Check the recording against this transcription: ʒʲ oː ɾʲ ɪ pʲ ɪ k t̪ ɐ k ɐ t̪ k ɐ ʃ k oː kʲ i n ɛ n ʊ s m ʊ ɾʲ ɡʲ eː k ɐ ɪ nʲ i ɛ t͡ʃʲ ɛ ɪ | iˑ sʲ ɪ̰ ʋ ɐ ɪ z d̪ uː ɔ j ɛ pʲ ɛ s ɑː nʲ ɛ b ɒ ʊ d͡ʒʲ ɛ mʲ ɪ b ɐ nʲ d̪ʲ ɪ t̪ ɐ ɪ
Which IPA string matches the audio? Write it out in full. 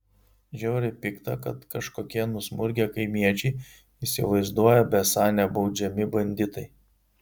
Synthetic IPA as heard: ʒʲ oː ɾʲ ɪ pʲ ɪ k t̪ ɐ k ɐ t̪ k ɐ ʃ k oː kʲ i ɛ n ʊ s m ʊ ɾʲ ɡʲ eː k ɐ ɪ mʲ i ɛ t͡ʃʲ ɛ ɪ | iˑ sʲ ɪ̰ ʋ ɐ ɪ z d̪ u ɔ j ɛ bʲ ɛ s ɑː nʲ ɛ b ɒ ʊ d͡ʒʲ ɛ mʲ ɪ b ɐ nʲ d̪ʲ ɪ t̪ ɐ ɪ